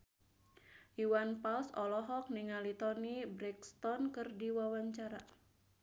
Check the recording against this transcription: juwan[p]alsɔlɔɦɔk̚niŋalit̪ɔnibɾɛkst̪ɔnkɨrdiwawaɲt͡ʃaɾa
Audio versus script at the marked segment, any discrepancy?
no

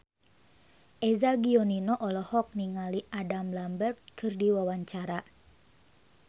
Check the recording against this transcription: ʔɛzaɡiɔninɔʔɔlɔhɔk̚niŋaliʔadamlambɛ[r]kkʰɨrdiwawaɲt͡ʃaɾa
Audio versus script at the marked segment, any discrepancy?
no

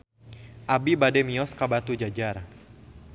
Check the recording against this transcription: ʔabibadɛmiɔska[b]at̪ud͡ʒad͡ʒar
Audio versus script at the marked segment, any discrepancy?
no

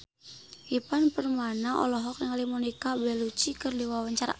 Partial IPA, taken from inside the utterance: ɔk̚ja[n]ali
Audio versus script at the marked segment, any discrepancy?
yes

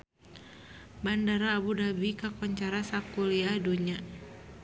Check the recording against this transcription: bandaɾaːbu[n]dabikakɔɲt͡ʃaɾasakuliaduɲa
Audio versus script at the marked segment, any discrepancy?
yes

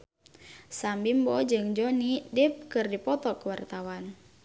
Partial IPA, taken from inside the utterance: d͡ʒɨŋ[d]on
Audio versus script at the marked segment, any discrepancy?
yes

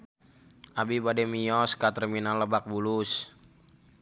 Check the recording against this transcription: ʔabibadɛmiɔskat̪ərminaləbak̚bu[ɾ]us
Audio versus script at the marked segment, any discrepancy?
yes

